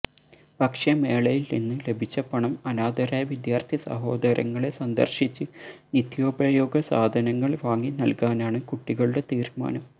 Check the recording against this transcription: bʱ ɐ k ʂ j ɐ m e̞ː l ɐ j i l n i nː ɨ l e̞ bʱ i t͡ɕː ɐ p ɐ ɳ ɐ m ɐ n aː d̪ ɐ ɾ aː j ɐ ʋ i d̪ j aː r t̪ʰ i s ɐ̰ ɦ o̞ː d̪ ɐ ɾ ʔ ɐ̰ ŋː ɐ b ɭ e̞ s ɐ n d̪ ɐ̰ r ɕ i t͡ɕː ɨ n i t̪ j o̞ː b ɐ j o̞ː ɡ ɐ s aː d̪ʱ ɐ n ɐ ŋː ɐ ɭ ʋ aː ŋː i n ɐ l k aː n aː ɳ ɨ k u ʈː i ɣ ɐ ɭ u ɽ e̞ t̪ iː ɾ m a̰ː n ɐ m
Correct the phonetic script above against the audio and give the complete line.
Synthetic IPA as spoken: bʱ ɐ k ʂ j ɐ m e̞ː ɭ ɐ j i l n i nː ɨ l e̞ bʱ i t͡ɕː ɐ p ɐ ɳ ɐ m ɐ n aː d̪ ɐ ɾ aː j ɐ ʋ i d̪ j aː r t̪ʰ i s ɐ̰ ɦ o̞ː d̪ ɐ ɾ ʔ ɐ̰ ŋː ɐ ɭ e̞ s ɐ n d̪ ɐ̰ r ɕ i t͡ɕː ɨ n i t̪ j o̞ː b ɐ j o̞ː ɡ ɐ s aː d̪ʱ ɐ n ɐ ŋː ɐ ɭ ʋ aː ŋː i n ɐ l k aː n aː ɳ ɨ k u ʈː i ɣ ɐ ɭ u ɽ e̞ t̪ iː ɾ m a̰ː n ɐ m